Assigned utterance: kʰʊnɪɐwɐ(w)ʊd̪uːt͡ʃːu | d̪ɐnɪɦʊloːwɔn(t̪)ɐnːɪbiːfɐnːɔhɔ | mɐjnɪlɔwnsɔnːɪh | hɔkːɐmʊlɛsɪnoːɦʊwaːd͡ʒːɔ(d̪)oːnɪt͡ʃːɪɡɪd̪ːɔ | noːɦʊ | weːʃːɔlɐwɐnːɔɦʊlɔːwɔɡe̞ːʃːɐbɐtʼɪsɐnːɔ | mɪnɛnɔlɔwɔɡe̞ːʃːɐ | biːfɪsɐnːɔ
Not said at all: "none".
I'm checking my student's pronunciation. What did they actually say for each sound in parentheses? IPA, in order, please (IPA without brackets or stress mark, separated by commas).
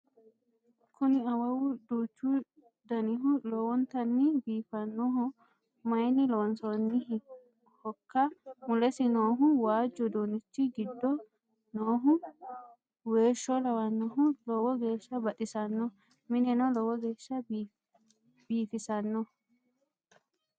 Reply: w, t̪, d̪